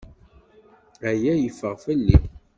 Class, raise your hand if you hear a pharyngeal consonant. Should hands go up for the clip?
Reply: no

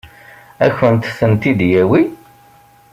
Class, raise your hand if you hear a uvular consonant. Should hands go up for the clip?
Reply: no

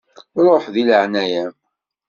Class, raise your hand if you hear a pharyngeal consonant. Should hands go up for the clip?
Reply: yes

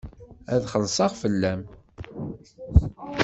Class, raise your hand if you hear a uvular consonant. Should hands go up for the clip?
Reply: yes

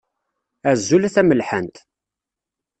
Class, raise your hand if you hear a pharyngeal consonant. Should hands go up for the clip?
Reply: yes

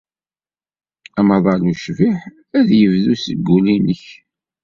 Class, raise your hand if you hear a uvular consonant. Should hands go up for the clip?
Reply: no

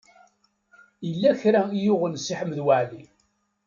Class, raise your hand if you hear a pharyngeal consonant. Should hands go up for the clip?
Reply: yes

